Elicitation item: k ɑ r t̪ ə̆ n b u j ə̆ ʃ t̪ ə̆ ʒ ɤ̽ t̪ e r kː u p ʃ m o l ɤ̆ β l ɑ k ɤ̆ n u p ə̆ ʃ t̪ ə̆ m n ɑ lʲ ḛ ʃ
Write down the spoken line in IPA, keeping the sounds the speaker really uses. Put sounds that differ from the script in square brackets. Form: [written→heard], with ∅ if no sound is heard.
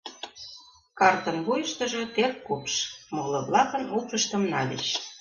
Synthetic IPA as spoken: k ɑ r t̪ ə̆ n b u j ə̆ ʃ t̪ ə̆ ʒ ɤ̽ t̪ e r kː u p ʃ m o l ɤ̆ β l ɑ k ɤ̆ n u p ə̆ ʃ t̪ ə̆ m n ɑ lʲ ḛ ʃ